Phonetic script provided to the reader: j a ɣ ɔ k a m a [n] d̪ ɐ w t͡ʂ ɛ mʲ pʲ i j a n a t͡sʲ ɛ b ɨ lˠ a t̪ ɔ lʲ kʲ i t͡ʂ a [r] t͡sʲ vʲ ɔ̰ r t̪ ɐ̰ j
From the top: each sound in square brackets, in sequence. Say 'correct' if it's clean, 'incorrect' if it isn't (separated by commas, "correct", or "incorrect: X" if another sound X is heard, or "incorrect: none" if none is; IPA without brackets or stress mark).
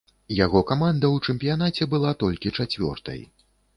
correct, incorrect: none